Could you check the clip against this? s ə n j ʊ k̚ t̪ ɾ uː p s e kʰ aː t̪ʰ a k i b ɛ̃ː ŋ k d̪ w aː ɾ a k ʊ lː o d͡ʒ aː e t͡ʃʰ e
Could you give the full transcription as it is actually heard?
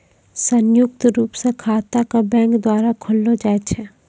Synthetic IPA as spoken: s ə n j ʊ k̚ t̪ ɾ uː p s e kʰ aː t̪ a k a b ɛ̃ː ŋ k d̪ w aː ɾ a kʰ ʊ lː o d͡ʒ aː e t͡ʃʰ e